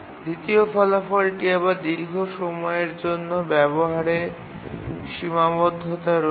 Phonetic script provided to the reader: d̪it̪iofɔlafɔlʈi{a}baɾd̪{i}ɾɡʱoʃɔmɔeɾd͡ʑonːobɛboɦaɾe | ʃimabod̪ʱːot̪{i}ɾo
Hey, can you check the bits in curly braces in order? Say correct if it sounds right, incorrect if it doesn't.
incorrect: e, correct, incorrect: a

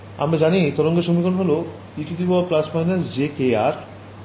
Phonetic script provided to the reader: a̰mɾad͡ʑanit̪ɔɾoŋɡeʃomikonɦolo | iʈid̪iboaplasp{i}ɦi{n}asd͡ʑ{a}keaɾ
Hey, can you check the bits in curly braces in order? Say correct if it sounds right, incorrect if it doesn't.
incorrect: a, correct, incorrect: e

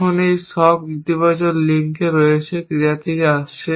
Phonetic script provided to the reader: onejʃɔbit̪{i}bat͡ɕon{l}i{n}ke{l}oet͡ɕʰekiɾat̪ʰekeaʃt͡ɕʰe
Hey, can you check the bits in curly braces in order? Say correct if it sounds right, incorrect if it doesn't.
correct, correct, incorrect: ŋ, incorrect: ɾ

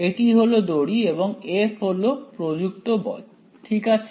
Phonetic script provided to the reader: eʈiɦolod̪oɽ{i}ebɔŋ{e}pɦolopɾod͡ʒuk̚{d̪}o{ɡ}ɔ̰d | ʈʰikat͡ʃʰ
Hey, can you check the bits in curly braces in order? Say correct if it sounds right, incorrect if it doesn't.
correct, correct, incorrect: t̪, incorrect: b

